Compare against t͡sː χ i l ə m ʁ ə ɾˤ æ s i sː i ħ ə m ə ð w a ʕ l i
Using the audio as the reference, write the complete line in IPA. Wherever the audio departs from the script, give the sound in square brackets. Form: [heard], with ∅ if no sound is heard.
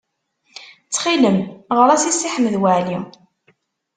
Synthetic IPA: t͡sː χ i l ə m ʁ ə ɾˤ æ s i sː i ħ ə m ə ð w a ʕ l i

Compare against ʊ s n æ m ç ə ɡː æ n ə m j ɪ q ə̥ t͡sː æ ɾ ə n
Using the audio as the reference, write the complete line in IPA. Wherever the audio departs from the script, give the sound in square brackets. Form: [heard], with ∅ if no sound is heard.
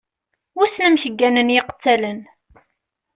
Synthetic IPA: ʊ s n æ m ç ə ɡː æ n ə [n] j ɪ q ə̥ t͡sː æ [l] ə n

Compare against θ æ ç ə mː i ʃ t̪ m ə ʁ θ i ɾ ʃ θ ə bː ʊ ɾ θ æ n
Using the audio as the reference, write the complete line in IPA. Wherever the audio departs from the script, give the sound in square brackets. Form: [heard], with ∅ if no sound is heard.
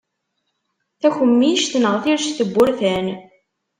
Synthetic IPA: θ æ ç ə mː i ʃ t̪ [n] ə ʁ θ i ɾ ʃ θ ə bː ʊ ɾ θ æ n

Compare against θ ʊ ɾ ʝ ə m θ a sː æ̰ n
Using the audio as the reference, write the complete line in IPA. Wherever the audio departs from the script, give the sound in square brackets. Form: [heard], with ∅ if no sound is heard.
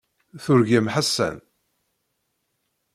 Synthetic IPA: θ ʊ ɾ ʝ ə m [ħ] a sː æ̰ n

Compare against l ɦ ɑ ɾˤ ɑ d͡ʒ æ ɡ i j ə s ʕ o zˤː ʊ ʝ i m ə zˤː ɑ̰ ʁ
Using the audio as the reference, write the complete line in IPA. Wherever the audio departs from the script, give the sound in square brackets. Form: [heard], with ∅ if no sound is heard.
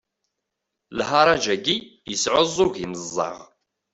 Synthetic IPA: l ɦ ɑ ɾˤ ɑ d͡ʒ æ ɡ i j ə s ʕ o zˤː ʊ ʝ i m ə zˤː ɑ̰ ʁ

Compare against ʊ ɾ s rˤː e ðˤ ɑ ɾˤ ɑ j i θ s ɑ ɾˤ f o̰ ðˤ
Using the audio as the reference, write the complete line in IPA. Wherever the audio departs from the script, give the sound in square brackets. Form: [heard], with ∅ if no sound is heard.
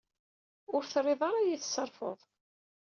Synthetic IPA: ʊ ɾ [θ] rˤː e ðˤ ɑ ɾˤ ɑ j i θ s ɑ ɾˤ f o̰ ðˤ

